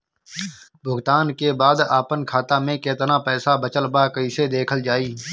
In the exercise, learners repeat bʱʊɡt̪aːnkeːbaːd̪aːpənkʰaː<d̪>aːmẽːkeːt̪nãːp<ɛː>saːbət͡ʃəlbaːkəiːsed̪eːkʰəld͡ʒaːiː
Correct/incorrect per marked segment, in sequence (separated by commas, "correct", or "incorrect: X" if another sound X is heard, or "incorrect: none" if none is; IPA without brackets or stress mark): incorrect: t̪, correct